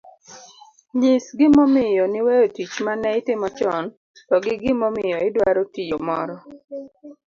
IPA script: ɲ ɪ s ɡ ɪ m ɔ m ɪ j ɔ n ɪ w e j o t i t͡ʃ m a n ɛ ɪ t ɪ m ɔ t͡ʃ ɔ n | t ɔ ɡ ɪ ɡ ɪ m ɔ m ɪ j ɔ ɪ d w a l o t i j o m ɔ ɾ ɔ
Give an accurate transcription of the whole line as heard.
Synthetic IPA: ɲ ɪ s ɡ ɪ m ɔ m ɪ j ɔ n ɪ w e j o t i t͡ʃ m a n ɛ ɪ t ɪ m ɔ t͡ʃ ɔ n | t ɔ ɡ ɪ ɡ ɪ m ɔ m ɪ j ɔ ɪ d w a ɾ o t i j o m ɔ ɾ ɔ